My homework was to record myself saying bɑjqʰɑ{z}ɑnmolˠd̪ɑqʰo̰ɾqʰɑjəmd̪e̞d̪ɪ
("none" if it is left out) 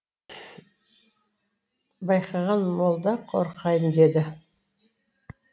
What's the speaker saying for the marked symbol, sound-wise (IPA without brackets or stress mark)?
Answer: ʁ